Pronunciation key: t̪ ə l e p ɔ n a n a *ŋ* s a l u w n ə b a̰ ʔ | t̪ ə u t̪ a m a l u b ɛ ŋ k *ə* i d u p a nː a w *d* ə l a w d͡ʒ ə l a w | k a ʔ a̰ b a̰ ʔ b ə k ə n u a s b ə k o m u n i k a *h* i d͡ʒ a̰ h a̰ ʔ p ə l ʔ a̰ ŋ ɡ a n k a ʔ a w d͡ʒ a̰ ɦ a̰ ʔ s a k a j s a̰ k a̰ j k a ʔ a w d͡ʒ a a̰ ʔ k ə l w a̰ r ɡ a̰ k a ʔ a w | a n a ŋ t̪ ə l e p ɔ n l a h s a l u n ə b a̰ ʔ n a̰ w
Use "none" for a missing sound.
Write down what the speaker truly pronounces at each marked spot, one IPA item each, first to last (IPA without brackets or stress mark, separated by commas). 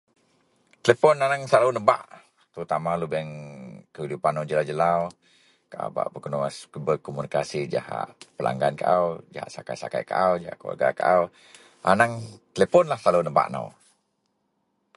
ŋ, ə, d͡ʒ, s